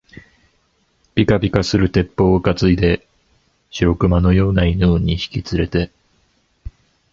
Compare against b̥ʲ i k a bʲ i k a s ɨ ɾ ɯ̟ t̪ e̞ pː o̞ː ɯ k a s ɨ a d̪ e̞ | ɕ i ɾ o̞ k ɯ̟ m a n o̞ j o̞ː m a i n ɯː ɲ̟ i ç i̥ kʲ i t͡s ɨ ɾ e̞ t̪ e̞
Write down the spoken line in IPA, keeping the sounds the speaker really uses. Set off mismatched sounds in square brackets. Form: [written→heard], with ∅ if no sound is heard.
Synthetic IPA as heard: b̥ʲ i k a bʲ i k a s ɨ ɾ ɯ̟ t̪ e̞ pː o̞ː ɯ k a [s→t͡s] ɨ [a→i] d̪ e̞ | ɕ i ɾ o̞ k ɯ̟ m a n o̞ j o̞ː [m→n] a i n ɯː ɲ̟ i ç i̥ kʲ i t͡s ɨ ɾ e̞ t̪ e̞